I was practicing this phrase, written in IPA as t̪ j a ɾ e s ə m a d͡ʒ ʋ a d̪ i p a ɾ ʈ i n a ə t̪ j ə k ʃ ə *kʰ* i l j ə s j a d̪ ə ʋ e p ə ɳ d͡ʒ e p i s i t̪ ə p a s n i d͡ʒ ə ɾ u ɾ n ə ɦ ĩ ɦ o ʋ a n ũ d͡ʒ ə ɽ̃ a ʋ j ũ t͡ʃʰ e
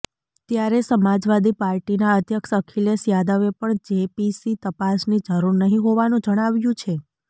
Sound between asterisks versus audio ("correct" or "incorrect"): correct